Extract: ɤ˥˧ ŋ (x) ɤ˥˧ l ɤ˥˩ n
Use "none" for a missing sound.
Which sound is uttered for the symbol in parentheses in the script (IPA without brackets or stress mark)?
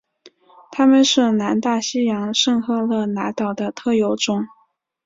x